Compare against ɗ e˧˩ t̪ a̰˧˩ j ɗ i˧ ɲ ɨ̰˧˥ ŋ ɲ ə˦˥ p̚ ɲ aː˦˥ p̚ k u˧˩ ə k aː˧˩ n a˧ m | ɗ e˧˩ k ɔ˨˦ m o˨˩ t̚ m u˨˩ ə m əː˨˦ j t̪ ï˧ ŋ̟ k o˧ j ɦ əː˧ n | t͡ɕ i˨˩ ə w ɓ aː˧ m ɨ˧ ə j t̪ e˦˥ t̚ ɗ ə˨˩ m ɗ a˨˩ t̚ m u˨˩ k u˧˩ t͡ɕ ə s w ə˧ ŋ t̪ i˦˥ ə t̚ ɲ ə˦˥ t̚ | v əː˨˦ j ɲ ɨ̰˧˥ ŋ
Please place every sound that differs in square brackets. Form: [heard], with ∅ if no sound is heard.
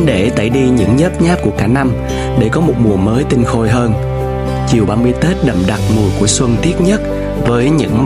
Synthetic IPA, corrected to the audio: ɗ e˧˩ t̪ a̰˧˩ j ɗ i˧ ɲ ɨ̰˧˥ ŋ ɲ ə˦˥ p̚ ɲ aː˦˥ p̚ k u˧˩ ə k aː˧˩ n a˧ m | ɗ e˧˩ k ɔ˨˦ m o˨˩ t̚ m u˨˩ ə m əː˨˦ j t̪ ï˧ ŋ̟ [x] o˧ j ɦ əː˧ n | t͡ɕ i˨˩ ə w ɓ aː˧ m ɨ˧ ə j t̪ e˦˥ t̚ ɗ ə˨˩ m ɗ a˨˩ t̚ m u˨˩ k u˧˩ [∅] ə s w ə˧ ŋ t̪ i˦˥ ə t̚ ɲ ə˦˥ t̚ | v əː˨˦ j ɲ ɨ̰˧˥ ŋ